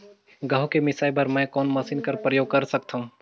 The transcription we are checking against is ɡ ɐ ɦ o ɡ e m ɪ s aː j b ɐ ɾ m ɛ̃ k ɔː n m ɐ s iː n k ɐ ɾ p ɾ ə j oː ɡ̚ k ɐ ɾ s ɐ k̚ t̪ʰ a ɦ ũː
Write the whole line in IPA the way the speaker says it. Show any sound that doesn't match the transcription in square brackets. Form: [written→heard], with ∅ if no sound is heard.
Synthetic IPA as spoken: ɡ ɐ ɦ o [ɡ→k] e m ɪ s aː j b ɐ ɾ m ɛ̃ k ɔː n m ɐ s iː n k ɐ ɾ p ɾ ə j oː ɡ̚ k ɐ ɾ s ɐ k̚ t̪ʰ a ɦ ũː